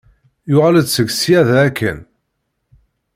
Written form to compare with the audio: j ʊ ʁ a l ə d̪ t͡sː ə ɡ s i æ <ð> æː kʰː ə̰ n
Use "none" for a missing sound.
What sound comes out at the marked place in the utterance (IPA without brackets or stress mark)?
ð